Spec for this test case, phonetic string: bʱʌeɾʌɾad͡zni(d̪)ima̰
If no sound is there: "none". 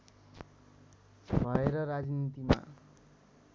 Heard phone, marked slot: t̪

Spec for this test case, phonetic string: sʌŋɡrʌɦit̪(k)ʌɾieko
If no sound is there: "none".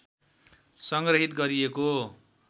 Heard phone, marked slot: ɡ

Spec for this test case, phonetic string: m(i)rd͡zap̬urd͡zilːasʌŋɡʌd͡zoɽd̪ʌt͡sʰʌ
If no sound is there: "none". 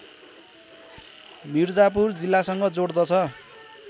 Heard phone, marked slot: i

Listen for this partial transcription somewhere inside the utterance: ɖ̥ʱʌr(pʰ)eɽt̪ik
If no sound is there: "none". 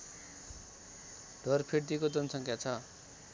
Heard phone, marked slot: pʰ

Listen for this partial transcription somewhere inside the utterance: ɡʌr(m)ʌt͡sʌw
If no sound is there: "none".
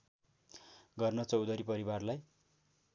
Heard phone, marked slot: n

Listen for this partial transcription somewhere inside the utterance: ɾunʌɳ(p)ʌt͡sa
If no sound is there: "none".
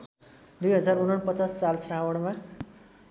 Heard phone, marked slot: p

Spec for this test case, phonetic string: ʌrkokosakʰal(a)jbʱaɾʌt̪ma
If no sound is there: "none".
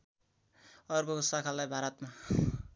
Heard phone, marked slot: a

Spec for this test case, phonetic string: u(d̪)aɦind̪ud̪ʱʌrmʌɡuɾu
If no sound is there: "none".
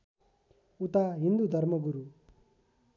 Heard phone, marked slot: t̪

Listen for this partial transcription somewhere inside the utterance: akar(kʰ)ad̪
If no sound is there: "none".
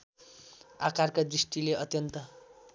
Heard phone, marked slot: k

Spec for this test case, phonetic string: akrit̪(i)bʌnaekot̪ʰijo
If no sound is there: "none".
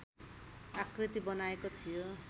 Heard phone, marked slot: i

